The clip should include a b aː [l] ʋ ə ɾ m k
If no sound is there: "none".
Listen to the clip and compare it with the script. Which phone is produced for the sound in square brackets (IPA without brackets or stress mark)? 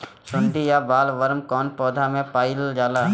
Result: l